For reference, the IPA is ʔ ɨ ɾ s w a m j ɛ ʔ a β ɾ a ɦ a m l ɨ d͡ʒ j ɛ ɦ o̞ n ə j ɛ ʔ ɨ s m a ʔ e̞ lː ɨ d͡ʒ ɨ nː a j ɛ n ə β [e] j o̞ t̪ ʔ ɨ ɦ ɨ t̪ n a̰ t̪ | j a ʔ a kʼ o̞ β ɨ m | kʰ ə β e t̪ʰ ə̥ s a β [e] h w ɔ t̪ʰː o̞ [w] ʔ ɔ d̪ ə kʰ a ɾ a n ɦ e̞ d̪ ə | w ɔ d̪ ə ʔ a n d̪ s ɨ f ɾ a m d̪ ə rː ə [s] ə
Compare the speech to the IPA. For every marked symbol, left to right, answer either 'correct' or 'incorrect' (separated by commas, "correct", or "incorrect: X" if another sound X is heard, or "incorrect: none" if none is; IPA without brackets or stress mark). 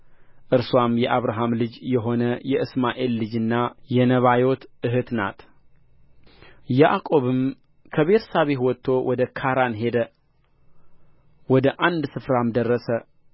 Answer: incorrect: a, correct, correct, correct